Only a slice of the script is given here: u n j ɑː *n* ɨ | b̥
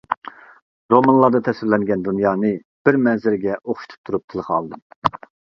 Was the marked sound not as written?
no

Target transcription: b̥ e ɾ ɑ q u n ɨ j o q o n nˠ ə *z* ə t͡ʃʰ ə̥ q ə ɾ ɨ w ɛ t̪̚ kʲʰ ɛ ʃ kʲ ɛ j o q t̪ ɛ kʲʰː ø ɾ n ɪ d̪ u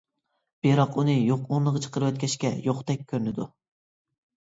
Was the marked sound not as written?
yes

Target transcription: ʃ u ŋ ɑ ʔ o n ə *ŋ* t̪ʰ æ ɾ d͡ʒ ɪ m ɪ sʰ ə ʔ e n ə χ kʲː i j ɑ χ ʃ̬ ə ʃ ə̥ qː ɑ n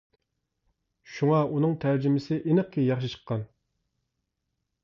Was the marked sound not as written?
no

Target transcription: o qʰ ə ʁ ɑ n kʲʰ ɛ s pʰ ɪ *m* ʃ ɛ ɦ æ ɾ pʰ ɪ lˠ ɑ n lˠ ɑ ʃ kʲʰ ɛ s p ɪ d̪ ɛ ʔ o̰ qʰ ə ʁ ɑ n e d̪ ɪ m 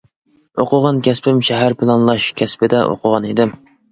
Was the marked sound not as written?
no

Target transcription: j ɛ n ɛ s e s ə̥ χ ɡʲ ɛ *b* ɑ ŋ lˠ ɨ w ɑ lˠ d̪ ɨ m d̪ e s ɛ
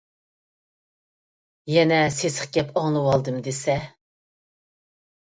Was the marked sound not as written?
yes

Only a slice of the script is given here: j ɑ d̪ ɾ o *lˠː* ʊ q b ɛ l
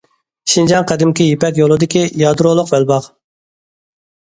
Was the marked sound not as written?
yes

